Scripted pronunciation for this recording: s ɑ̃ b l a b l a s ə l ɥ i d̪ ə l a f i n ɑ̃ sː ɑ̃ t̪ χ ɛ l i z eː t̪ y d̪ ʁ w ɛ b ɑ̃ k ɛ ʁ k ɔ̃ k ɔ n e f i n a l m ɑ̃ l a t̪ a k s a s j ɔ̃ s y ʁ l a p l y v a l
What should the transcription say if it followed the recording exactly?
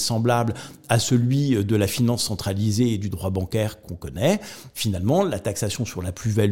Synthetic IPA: s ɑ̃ b l a b l a s ə l ɥ i d̪ ə l a f i n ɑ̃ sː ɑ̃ t̪ χ a l i z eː d̪ y d̪ ʁ w a b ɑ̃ k ɛ ʁ k ɔ̃ k ɔ n ɛ f i n a l m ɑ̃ l a t̪ a k s a s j ɔ̃ s y ʁ l a p l y v a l